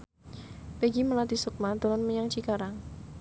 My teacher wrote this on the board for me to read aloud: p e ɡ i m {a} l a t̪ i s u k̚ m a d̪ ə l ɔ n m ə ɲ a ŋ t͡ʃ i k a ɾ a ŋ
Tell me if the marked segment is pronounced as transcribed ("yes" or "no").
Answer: no